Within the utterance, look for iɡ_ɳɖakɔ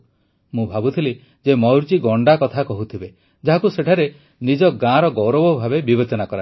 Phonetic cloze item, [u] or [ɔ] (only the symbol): ɔ